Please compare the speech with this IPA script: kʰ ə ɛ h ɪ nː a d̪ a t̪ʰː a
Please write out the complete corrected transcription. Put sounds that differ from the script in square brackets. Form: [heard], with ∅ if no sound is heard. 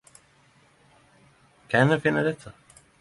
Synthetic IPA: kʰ [a] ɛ [f] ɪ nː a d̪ [ɛ] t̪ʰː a